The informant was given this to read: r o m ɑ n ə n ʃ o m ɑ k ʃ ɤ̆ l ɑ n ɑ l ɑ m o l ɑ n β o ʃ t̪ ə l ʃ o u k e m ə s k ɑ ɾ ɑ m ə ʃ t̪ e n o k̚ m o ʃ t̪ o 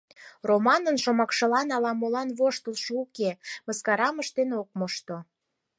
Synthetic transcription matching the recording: r o m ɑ n ə n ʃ o m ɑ k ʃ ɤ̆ l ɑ n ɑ l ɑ m o l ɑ n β o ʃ t̪ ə l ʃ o u k e m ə s k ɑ ɾ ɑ m ə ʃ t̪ e n o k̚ m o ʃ t̪ o